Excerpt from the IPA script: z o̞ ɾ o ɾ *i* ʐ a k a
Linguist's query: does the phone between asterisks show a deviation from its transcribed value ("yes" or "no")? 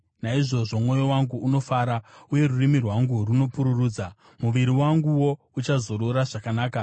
yes